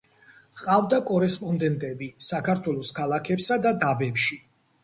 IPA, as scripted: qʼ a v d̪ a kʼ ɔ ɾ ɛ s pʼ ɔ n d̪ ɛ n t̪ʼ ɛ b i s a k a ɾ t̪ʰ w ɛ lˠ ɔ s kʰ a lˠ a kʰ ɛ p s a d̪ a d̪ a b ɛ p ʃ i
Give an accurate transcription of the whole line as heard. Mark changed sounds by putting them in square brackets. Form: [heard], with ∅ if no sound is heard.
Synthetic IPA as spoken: qʼ a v d̪ a kʼ ɔ ɾ ɛ s pʼ ɔ n d̪ ɛ n t̪ʼ ɛ b i s a k a ɾ t̪ʰ w ɛ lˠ ɔ s kʰ a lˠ a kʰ ɛ p s a d̪ a d̪ a b ɛ p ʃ i